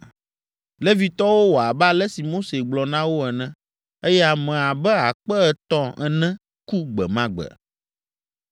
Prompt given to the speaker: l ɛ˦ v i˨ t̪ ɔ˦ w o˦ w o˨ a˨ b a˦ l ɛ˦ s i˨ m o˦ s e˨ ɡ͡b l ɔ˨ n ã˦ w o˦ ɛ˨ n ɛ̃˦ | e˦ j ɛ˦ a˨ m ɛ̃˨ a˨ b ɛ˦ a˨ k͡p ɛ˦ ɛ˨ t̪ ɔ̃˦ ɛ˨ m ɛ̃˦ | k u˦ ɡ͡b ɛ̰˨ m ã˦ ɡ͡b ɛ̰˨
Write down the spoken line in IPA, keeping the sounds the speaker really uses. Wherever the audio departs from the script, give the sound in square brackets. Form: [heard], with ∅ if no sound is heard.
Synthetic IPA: l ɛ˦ v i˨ t̪ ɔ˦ w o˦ w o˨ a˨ b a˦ l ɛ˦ s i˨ m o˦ s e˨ ɡ͡b l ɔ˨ n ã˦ w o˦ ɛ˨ n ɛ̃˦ | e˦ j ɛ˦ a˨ m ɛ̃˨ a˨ b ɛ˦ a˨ k͡p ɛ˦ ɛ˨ t̪ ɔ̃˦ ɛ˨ [n] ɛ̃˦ | k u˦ ɡ͡b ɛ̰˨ m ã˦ ɡ͡b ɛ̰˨